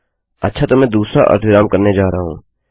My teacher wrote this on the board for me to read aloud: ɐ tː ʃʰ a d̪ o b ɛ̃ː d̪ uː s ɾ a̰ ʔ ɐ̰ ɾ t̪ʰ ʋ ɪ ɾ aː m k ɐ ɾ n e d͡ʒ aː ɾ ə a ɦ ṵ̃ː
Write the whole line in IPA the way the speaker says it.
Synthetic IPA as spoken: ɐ tː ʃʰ a t̪ o m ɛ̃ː d̪ uː s ɾ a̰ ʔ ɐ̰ ɾ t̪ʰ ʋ ɪ ɾ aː m k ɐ ɾ n e d͡ʒ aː ɾ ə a ɦ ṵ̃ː